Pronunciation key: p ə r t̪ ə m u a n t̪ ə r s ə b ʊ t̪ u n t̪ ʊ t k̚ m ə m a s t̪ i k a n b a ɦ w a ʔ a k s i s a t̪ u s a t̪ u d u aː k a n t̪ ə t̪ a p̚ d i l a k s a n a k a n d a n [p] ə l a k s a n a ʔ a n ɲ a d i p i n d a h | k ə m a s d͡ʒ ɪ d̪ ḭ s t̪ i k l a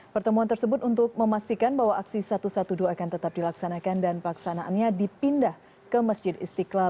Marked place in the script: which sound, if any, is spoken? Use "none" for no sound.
p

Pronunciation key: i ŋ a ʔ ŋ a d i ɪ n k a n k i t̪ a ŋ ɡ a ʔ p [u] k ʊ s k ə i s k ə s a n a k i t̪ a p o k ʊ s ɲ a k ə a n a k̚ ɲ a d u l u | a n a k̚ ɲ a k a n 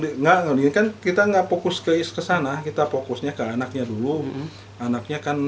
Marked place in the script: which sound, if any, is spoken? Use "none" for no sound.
o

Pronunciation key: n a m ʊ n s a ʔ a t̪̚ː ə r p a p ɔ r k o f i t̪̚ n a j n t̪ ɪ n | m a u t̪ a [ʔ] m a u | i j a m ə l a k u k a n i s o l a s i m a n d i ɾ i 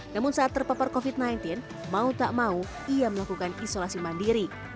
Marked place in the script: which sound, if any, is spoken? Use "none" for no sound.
ʔ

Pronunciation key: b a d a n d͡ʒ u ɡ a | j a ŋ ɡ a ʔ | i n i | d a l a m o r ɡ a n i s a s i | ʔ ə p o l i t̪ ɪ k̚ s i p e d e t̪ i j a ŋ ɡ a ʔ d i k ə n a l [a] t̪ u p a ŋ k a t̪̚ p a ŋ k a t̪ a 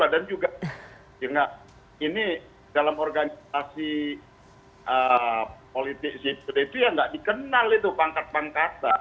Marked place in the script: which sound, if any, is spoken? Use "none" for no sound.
i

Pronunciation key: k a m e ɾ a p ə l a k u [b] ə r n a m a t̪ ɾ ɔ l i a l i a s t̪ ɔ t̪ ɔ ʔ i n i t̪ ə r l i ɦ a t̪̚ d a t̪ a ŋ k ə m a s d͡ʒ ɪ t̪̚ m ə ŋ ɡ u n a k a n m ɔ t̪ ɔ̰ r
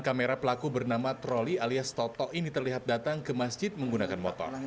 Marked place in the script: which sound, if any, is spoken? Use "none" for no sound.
b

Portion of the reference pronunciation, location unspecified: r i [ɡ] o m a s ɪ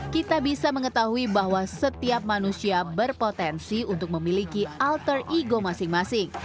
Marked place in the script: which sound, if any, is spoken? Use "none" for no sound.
ɡ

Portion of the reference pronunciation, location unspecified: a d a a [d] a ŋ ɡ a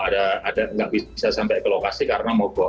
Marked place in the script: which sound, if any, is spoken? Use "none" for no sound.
d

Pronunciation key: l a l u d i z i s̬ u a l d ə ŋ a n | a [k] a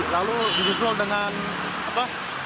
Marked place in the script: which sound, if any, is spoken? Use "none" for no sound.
p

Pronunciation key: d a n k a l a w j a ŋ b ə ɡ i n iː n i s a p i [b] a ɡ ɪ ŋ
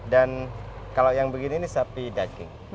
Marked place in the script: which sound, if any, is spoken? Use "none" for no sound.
d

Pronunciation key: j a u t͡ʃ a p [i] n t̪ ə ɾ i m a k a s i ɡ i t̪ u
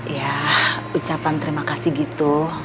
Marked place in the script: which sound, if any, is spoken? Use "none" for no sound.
a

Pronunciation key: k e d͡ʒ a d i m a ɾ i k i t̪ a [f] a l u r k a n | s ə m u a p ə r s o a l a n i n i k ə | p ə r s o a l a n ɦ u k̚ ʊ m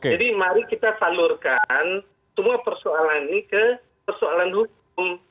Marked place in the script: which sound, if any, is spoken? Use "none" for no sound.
f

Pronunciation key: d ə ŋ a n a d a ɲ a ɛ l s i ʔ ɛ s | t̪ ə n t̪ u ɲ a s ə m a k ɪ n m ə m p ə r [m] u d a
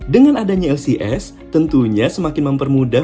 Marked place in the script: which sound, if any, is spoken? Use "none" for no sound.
m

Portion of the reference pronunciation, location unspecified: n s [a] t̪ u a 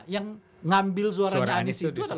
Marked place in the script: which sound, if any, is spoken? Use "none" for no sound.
i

